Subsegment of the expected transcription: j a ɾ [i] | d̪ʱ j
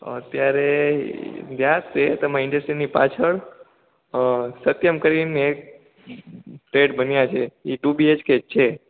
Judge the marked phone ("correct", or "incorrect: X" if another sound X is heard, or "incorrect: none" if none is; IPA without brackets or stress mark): incorrect: e